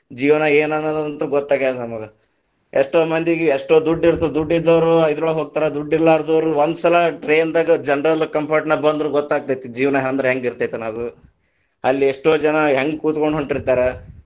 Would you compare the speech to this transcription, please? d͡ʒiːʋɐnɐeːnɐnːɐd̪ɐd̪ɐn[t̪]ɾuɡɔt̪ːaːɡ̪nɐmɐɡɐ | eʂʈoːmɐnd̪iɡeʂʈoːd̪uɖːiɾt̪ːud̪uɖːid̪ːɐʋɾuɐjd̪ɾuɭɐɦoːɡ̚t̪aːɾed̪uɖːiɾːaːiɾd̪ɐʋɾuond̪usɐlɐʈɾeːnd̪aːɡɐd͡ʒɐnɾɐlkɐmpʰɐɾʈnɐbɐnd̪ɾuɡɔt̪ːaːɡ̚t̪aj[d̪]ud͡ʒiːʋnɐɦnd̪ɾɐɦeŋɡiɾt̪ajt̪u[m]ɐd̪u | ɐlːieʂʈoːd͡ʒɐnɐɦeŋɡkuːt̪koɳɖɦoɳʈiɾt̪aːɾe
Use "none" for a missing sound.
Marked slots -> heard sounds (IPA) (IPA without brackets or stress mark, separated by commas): t̪, t̪, n